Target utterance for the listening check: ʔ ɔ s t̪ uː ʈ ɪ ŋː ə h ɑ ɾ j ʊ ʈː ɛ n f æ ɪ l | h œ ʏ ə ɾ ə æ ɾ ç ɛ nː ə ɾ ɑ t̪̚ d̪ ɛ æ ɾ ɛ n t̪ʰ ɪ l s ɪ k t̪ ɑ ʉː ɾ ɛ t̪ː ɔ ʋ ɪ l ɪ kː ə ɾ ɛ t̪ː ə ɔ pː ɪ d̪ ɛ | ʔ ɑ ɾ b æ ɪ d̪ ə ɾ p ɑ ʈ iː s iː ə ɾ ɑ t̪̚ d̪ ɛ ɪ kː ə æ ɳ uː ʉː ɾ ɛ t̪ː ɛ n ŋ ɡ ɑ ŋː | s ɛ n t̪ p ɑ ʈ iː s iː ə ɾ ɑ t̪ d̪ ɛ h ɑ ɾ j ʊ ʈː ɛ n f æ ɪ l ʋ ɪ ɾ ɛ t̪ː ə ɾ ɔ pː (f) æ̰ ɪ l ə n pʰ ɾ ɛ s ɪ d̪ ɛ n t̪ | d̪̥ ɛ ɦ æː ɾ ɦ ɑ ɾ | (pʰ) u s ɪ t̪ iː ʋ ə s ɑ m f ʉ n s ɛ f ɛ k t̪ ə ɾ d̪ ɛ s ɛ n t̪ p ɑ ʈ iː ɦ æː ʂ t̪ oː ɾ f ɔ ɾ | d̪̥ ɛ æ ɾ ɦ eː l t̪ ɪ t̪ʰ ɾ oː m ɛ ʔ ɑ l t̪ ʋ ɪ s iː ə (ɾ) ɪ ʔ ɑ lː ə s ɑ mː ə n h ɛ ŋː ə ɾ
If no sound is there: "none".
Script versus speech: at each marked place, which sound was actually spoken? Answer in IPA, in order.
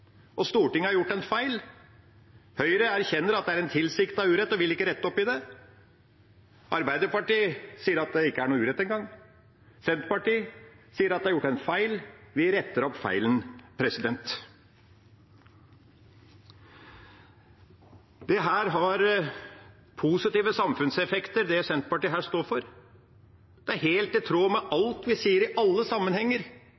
f, pʰ, ɾ

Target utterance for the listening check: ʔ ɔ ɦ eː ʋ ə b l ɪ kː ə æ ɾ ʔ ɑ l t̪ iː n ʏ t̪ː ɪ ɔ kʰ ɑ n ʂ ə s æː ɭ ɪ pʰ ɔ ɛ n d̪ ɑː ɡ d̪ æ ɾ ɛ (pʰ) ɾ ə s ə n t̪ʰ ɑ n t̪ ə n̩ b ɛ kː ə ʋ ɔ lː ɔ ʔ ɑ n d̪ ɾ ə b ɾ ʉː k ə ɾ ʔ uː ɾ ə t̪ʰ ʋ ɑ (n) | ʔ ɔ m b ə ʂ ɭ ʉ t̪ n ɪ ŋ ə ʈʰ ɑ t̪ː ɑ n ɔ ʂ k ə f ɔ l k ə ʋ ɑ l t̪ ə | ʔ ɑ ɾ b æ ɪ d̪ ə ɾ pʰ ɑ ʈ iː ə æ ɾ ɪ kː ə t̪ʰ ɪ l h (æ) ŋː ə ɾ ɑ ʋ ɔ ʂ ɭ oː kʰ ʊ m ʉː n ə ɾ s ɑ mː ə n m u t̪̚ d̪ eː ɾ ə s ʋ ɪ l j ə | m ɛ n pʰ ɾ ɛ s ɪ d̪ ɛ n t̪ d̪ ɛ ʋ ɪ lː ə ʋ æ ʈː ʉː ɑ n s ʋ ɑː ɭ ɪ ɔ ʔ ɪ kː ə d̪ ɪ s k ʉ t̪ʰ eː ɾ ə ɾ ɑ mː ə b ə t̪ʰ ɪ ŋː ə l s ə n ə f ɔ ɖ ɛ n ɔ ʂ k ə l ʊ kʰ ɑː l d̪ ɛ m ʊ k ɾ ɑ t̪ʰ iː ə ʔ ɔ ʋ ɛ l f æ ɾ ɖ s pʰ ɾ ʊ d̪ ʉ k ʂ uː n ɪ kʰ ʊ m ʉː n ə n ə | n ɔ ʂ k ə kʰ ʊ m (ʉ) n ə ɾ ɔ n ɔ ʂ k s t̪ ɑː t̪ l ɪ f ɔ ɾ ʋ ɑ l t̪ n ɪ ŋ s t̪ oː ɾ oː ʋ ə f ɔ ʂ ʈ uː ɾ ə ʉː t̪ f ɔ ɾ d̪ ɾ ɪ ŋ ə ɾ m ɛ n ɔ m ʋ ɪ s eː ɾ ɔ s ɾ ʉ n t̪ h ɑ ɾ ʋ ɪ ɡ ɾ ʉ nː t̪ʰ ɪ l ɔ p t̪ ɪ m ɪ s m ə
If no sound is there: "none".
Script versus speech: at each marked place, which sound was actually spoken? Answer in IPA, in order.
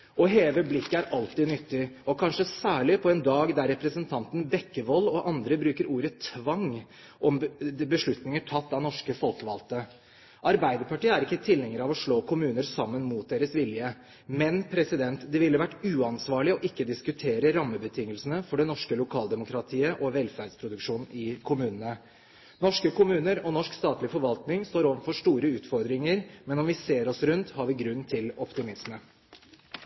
p, ŋ, ɛ, ʉː

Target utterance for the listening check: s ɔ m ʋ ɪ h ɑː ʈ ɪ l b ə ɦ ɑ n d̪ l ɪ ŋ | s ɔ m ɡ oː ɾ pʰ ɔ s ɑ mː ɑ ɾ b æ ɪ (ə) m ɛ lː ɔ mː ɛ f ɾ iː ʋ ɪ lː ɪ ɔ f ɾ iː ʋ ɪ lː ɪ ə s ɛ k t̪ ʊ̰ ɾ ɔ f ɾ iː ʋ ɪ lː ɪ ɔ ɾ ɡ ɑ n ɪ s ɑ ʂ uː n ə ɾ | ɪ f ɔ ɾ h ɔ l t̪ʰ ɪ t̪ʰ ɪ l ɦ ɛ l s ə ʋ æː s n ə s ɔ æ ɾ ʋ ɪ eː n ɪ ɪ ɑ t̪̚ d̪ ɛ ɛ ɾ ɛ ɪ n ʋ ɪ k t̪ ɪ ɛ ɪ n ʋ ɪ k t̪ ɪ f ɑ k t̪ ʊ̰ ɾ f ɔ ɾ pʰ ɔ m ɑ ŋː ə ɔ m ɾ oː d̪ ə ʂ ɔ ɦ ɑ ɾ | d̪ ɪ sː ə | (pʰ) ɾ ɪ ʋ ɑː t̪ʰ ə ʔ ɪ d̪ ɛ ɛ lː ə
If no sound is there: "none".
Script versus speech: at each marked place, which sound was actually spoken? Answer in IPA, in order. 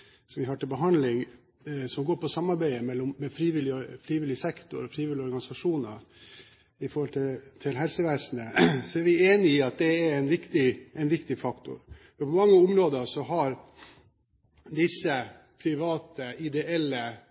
ə, pʰ

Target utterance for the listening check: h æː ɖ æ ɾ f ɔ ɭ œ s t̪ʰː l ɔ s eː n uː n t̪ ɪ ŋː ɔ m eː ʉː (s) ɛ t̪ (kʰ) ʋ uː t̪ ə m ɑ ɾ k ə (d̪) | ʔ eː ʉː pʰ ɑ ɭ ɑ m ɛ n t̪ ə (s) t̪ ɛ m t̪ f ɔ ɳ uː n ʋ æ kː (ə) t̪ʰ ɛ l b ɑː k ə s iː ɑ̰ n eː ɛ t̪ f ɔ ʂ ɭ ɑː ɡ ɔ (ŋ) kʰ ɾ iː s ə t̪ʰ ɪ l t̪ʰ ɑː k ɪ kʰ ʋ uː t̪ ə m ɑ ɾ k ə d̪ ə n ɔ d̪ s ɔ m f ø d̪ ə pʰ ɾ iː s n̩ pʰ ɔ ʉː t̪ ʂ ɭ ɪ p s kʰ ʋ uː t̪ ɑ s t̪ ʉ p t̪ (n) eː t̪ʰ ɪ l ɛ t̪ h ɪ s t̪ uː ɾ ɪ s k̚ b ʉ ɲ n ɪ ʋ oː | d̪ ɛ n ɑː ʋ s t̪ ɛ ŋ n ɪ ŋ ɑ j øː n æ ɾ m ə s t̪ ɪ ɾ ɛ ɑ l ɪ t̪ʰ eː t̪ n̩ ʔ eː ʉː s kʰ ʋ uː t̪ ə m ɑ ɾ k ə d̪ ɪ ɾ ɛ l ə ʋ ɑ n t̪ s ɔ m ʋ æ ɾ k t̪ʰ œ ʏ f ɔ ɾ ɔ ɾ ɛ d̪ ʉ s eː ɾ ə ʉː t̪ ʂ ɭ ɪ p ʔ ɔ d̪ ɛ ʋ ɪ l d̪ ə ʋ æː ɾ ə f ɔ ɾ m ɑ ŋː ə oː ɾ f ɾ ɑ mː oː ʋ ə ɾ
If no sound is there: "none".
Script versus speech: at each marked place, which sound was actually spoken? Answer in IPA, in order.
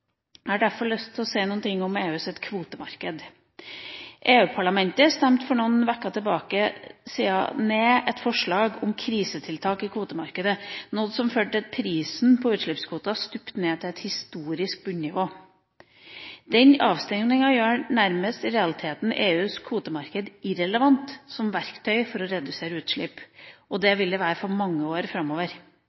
s, kʰ, d̪, s, ɑ, m, n

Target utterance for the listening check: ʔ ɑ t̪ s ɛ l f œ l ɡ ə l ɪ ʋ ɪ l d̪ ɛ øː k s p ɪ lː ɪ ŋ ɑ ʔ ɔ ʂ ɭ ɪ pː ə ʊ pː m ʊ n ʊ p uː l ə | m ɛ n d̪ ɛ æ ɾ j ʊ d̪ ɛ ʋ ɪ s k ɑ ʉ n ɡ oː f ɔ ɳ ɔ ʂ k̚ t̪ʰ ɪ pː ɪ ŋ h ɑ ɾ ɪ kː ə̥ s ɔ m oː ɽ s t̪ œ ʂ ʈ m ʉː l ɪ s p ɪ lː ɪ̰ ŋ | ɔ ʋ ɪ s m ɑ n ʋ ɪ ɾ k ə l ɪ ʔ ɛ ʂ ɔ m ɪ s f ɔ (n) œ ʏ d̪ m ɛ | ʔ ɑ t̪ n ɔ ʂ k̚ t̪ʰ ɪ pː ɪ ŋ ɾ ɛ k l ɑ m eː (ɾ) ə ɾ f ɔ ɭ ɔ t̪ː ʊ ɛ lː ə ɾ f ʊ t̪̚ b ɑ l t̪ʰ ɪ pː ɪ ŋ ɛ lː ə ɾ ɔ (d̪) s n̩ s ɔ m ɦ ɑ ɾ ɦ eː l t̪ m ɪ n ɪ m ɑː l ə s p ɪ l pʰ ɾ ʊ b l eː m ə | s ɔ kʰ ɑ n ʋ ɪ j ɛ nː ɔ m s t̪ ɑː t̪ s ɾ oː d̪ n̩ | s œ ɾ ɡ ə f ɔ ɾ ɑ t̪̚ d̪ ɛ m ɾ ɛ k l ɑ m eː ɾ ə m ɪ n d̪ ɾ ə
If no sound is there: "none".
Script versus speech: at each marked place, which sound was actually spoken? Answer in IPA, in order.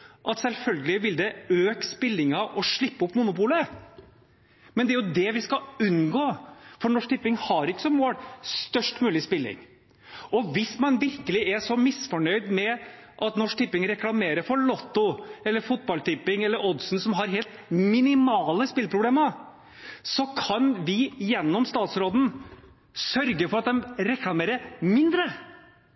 ɳ, ɾ, d̪

